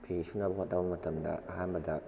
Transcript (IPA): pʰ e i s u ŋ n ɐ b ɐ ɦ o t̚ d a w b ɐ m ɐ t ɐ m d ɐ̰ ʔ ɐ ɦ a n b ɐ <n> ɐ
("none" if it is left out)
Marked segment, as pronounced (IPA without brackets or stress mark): d